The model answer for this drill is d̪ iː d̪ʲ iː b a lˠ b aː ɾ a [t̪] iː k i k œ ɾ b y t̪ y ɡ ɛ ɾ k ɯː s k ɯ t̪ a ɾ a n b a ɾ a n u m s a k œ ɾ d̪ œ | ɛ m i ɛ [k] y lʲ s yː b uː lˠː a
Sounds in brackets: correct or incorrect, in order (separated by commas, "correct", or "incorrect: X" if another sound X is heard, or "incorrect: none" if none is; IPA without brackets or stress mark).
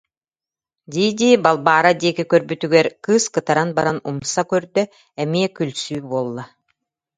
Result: incorrect: d̪, correct